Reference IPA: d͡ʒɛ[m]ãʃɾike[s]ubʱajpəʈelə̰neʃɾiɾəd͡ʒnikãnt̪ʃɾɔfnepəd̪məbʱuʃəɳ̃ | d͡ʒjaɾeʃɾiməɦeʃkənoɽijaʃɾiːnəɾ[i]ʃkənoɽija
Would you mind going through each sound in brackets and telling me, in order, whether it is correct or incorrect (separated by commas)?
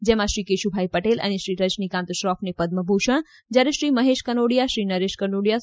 correct, incorrect, incorrect